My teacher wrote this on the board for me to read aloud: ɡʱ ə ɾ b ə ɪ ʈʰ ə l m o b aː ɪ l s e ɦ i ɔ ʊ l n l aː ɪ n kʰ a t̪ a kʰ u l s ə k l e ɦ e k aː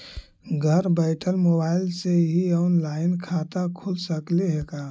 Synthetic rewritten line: ɡʱ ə ɾ b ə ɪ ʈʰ ə l m o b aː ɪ l s e ɦ i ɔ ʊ n l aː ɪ n kʰ a t̪ a kʰ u l s ə k l e ɦ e k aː

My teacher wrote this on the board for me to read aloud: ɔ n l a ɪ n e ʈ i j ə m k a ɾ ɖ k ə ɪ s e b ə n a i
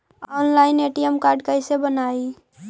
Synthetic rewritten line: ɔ n l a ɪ n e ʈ i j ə m k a ɾ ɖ k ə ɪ s e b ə n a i

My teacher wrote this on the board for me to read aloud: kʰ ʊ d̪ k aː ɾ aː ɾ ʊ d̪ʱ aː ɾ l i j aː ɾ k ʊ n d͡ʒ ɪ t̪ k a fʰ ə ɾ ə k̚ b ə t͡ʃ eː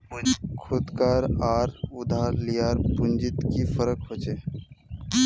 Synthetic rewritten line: kʰ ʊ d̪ k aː ɾ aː ɾ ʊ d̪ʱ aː ɾ l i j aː ɾ p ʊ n d͡ʒ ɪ t̪ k i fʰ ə ɾ ə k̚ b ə t͡ʃ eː

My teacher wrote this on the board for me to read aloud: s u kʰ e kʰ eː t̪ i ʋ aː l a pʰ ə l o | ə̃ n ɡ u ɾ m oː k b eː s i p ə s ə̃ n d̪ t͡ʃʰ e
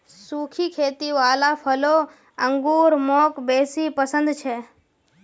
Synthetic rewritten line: s u kʰ i kʰ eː t̪ i ʋ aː l a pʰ ə l o | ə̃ ŋ ɡ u ɾ m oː k b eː s i p ə s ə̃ n d̪ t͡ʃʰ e

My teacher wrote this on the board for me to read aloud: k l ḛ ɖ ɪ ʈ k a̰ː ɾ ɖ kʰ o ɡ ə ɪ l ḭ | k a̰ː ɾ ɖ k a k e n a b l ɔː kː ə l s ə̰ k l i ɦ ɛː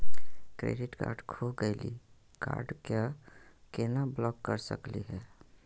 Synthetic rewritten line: k ɾ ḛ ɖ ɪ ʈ k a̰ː ɾ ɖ kʰ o ɡ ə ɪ l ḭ | k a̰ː ɾ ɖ k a k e n a b l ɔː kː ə ɾ s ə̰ k l i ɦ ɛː

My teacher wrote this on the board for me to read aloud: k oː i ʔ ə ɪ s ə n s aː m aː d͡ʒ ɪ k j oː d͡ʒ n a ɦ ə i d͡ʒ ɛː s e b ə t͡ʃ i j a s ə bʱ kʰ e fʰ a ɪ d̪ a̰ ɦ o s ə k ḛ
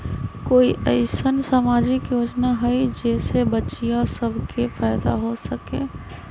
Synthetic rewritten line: k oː i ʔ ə ɪ s ə n s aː m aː d͡ʒ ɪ k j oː d͡ʒ n a ɦ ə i d͡ʒ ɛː s e b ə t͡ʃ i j a s ə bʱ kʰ e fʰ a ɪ d̪ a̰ ɦ o s ə k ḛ

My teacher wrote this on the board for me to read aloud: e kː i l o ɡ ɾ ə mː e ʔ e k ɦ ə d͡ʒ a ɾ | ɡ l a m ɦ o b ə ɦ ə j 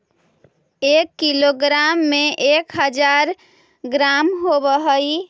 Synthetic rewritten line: e kː i l o ɡ ɾ a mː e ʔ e k ɦ ə d͡ʒ a ɾ | ɡ ɾ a m ɦ o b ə ɦ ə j

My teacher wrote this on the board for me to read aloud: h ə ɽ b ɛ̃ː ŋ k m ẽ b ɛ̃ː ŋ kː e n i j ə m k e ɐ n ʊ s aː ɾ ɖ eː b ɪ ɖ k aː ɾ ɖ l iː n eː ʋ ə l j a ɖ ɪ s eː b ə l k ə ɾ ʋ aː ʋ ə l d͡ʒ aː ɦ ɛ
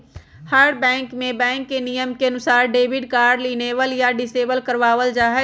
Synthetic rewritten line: h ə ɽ b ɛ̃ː ŋ k m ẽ b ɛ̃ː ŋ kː e n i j ə m k e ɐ n ʊ s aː ɾ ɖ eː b ɪ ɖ k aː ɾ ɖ l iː n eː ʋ ə l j a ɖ ɪ s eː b ə l k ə ɾ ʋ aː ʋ ə l d͡ʒ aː ɦ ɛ

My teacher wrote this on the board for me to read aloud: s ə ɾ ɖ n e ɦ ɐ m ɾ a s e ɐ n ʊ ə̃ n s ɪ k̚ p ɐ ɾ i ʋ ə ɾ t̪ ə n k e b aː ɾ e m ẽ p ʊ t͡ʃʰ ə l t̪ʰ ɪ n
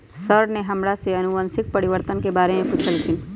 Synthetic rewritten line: s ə ɾ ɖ n e ɦ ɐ m ɾ a s e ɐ n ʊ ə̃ n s ɪ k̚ p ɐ ɾ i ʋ ə ɾ t̪ ə n k e b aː ɾ e m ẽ p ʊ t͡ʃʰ ə l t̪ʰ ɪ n

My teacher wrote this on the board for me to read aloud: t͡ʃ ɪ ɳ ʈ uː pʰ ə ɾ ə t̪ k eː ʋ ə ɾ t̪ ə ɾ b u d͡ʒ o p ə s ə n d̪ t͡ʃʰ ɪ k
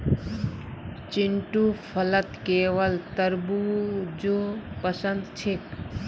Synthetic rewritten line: t͡ʃ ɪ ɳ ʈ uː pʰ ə l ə t̪ k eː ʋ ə l t̪ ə ɾ b u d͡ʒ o p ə s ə n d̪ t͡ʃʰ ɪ k

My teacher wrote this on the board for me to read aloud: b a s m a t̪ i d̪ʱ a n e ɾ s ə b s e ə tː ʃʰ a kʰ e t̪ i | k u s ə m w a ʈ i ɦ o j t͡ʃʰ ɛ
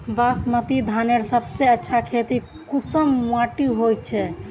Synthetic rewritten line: b a s m ə t̪ i d̪ʱ a n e ɾ s ə b s e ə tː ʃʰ a kʰ e t̪ i | k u s ə m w a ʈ i ɦ o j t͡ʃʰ ɛ

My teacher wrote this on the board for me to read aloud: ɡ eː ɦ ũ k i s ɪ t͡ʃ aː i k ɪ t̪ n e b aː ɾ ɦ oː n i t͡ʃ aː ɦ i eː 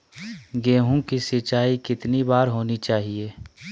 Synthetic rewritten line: ɡ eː ɦ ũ k i s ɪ t͡ʃ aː i k ɪ t̪ n i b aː ɾ ɦ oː n i t͡ʃ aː ɦ i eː

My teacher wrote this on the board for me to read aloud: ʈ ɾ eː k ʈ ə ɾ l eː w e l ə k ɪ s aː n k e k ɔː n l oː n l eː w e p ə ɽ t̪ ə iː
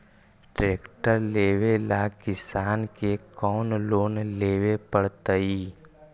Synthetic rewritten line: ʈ ɾ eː k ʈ ə ɾ l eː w e l a k ɪ s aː n k e k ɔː n l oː n l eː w e p ə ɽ t̪ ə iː

